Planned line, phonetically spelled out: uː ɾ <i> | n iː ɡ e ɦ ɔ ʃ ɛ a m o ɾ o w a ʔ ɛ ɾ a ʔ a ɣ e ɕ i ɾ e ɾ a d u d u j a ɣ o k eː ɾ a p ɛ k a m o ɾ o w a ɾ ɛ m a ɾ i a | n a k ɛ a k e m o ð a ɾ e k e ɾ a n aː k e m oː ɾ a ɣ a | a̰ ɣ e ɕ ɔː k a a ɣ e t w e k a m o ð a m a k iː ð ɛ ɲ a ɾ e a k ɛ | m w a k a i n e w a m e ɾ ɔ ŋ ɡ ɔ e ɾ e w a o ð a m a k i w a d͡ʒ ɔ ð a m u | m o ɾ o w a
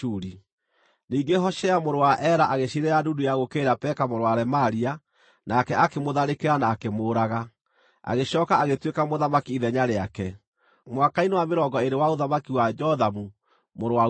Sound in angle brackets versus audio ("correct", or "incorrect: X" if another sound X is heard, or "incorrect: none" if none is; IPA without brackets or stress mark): correct